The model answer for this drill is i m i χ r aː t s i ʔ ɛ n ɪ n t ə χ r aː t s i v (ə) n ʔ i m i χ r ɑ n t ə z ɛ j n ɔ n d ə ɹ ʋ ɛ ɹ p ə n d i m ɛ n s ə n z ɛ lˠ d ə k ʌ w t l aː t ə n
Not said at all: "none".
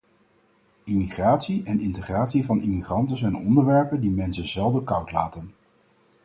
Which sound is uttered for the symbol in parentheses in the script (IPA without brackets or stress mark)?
ɑ